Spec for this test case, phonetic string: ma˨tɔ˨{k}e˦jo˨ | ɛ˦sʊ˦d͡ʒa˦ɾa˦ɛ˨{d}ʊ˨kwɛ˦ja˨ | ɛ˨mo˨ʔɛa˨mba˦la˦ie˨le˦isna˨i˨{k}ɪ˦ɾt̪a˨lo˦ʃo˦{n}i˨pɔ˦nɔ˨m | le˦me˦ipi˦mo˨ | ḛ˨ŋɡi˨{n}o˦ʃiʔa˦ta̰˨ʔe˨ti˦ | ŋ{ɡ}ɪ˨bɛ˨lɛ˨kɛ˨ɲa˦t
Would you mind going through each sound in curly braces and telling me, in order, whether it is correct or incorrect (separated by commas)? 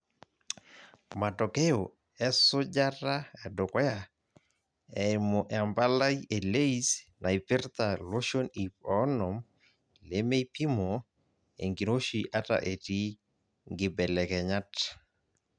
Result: correct, correct, incorrect, correct, correct, correct